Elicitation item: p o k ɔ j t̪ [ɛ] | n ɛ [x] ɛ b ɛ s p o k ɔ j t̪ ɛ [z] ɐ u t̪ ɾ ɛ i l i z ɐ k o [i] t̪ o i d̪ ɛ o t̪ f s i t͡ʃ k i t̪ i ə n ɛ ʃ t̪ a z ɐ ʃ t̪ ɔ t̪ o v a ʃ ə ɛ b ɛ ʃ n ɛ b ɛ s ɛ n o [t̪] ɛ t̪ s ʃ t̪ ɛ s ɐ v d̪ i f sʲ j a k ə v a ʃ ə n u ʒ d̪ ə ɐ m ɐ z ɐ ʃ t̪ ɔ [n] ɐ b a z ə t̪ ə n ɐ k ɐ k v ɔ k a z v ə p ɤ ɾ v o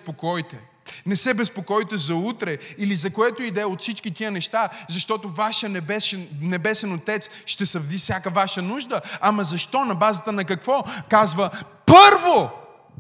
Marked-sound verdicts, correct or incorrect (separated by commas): correct, incorrect, correct, incorrect, correct, correct